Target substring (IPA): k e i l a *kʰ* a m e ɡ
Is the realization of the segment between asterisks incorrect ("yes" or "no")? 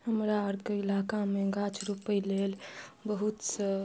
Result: yes